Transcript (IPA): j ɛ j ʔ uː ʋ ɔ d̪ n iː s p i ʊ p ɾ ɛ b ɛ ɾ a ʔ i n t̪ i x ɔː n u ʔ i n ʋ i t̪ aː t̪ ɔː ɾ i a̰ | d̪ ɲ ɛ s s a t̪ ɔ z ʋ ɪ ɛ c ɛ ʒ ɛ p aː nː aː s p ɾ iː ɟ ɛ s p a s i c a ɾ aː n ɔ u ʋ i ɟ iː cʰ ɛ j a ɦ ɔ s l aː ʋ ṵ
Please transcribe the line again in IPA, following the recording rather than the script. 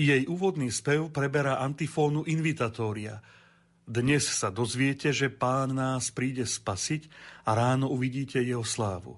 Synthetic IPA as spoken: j ɛ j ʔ uː ʋ ɔ d̪ n iː s p ɛ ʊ p ɾ ɛ b ɛ ɾ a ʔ a n t̪ i f ɔː n u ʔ i n ʋ i t̪ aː t̪ ɔː ɾ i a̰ | d̪ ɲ ɛ s s a d̪ ɔ z ʋ ɪ ɛ c ɛ ʒ ɛ p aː nː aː s p ɾ iː ɟ ɛ s p a s i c a ɾ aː n ɔ u ʋ i ɟ iː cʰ ɛ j ɛ ɦ ɔ s l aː ʋ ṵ